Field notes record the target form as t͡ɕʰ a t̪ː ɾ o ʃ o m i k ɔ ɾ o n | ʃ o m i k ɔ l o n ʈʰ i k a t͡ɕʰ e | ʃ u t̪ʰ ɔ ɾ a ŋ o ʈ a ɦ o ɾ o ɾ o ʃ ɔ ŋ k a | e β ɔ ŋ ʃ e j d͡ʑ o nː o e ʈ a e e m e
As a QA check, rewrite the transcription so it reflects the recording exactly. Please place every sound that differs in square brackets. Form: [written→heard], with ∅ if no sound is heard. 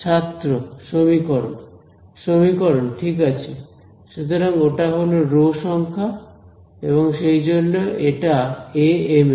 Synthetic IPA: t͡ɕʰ a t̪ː ɾ o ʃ o m i k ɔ ɾ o n | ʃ o m i k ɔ [l→ɾ] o n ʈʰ i k a t͡ɕʰ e | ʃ u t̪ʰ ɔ ɾ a ŋ o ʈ a ɦ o [ɾ→l] o ɾ o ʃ ɔ ŋ [k→kʰ] a | e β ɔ ŋ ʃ e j d͡ʑ o nː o e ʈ a e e m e

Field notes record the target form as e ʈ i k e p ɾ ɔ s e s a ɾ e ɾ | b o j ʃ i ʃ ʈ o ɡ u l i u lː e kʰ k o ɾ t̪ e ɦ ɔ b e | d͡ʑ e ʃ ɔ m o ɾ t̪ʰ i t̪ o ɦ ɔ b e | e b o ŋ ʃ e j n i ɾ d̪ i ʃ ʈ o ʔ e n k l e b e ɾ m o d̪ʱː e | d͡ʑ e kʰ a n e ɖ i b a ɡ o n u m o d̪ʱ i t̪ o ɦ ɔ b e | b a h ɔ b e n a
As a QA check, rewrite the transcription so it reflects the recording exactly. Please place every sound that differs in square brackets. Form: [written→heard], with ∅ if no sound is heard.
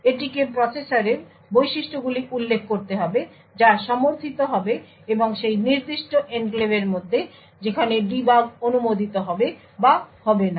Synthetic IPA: e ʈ i k e p ɾ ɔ s e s a ɾ e ɾ | b o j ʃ i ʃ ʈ o ɡ u l i u lː e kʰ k o ɾ t̪ e ɦ ɔ b e | d͡ʑ [e→a] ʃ ɔ m o ɾ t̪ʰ i t̪ o ɦ ɔ b e | e b o ŋ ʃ e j n i ɾ d̪ i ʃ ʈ o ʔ e n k l e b e ɾ m o d̪ʱː e | d͡ʑ e kʰ a n e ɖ i b a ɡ o n u m o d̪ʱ i t̪ o ɦ ɔ b e | b a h ɔ b e n a

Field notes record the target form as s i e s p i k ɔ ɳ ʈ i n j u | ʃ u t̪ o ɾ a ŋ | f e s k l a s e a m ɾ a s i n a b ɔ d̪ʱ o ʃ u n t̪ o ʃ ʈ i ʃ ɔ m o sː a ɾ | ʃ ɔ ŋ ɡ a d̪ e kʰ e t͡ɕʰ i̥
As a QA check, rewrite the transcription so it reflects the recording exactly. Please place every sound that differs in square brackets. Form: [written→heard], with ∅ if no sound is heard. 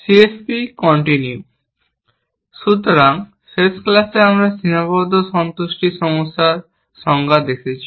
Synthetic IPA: s i e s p i k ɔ ɳ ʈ i n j u | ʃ u t̪ o ɾ a ŋ | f e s k l a s e a m ɾ a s i n a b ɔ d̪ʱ o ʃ [u→ɔ] n t̪ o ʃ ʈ i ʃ ɔ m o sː a ɾ | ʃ ɔ ŋ ɡ a d̪ e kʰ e t͡ɕʰ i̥

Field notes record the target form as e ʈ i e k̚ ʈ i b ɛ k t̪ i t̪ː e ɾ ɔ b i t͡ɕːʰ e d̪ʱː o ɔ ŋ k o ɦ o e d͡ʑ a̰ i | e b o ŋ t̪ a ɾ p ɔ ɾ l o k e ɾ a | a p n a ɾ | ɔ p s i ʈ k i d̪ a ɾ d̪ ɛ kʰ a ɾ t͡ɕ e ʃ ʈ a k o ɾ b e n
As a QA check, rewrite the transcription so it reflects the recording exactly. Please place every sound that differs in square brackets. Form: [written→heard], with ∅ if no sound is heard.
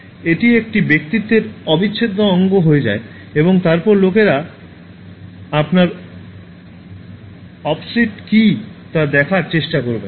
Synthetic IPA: e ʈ i e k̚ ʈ i b [ɛ→e] k t̪ i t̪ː e ɾ ɔ b i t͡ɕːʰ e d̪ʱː o ɔ ŋ [k→ɡ] o ɦ o e d͡ʑ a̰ [i→e] | e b o ŋ t̪ a ɾ p ɔ ɾ l o k e ɾ a | a p n a ɾ | ɔ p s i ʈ k i [d̪→t̪] a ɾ d̪ ɛ kʰ a ɾ t͡ɕ e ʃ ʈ a k o ɾ b e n

